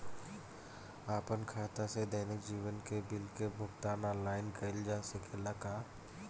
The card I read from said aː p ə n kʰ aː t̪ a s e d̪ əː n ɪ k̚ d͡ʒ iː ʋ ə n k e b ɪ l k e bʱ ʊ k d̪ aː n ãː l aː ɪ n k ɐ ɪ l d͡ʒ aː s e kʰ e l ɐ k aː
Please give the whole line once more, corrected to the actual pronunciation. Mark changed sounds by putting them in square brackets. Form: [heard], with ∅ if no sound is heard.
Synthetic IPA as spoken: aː p ə n kʰ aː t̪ a s e d̪ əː n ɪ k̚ d͡ʒ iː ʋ ə n k e b ɪ l k e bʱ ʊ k [t̪] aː n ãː l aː ɪ n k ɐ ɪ l d͡ʒ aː s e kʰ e l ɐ k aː